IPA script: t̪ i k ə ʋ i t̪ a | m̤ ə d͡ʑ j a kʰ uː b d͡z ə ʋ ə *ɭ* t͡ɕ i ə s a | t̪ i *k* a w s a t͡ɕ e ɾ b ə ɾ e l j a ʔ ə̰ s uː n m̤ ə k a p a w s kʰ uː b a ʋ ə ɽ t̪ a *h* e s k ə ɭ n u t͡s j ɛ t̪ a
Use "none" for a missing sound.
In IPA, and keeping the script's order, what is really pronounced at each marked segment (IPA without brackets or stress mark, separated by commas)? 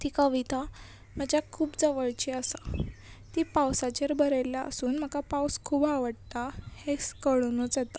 ɭ, p, h